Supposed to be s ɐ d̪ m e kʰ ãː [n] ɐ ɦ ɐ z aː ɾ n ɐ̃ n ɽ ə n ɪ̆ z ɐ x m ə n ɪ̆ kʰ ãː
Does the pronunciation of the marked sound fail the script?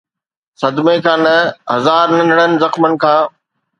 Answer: no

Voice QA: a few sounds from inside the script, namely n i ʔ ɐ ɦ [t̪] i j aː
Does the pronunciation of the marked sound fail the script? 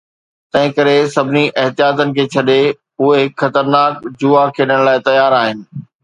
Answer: no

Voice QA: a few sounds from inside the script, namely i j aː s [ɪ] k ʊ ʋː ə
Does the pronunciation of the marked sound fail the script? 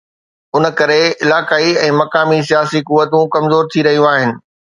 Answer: yes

